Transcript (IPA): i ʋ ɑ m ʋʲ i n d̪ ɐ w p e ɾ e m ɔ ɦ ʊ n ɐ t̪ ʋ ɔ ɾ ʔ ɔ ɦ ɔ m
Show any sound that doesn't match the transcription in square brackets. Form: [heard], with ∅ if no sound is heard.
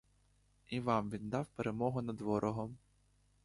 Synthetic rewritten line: i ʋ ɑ m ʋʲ i n d̪ [ɑ] w p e ɾ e m ɔ ɦ ʊ n ɐ [d̪] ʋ ɔ ɾ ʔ ɔ ɦ ɔ m